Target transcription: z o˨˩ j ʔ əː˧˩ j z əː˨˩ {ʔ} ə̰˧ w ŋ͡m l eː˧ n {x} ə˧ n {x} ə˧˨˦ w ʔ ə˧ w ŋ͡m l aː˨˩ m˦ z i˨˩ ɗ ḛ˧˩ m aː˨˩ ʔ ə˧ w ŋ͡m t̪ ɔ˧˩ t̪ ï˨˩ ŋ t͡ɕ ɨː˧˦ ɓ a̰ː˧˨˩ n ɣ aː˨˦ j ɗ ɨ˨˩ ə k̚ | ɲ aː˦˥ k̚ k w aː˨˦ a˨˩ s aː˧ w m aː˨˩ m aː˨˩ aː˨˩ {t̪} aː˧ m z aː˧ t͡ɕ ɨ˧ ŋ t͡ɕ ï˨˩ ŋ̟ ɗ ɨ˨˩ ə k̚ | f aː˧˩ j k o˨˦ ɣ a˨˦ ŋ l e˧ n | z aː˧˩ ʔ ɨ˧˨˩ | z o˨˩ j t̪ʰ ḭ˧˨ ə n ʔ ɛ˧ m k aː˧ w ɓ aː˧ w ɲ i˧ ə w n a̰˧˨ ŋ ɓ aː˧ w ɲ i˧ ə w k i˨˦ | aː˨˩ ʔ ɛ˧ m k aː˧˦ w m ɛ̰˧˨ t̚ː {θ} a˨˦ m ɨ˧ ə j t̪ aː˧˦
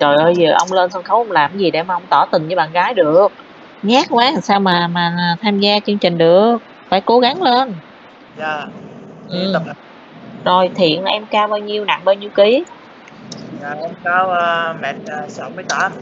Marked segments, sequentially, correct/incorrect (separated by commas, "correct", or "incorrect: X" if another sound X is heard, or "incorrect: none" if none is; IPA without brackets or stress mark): correct, incorrect: s, correct, incorrect: t̪ʰ, incorrect: s